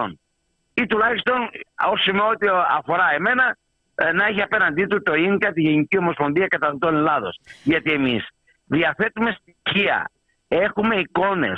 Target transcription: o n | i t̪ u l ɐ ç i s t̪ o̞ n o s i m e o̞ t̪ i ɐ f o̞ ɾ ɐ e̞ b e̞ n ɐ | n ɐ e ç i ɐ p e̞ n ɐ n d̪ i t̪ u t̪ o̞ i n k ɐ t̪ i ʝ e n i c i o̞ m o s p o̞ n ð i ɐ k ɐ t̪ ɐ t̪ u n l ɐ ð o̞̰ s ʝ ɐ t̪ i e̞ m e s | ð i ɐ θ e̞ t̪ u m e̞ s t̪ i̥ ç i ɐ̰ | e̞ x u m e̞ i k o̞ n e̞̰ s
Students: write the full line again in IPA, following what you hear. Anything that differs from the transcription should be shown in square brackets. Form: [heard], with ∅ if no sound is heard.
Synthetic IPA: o n | i t̪ u l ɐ ç i s t̪ o̞ n o s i m e o̞ t̪ i ɐ f o̞ ɾ ɐ e̞ [m] e̞ n ɐ | n ɐ e ç i ɐ p e̞ n ɐ n d̪ i t̪ u t̪ o̞ i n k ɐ t̪ i ʝ e n i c i o̞ m o s p o̞ n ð i ɐ k ɐ t̪ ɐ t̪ [o] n l ɐ ð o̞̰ s ʝ ɐ t̪ i e̞ m [i] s | ð i ɐ θ e̞ t̪ u m e̞ s t̪ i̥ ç i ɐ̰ | e̞ x u m e̞ i k o̞ n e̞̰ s